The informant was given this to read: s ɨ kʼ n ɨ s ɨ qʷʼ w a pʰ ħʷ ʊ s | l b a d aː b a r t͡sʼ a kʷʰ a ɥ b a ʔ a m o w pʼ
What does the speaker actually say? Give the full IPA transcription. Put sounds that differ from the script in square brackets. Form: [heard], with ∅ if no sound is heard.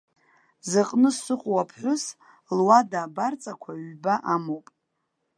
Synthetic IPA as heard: [z] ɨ [qʼ] n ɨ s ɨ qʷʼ w a pʰ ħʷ ʊ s | l [w] a d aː b a r t͡sʼ a kʷʰ a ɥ b a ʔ a m o w pʼ